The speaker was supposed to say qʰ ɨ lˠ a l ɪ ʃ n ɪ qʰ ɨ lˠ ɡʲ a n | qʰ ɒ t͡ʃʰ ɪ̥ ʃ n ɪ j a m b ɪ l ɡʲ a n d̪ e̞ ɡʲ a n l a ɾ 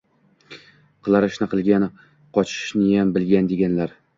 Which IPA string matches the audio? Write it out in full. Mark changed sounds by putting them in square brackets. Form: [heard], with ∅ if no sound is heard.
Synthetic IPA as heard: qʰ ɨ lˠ a [ɾ] ɪ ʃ n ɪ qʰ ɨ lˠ ɡʲ a n | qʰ ɒ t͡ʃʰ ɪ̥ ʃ n ɪ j a m b ɪ l ɡʲ a n d̪ e̞ ɡʲ a n l a ɾ